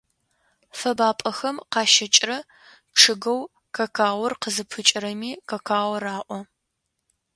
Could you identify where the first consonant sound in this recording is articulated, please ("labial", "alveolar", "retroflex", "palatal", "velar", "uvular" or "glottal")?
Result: labial